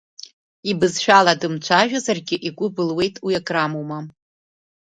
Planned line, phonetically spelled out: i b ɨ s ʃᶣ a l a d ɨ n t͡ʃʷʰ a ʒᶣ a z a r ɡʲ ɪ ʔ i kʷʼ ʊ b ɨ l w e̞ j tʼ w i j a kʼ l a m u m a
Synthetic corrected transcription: i b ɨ z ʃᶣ a l a d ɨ m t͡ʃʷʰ a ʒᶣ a z a r ɡʲ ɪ ʔ i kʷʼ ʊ b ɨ l w e̞ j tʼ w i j a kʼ r a m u m a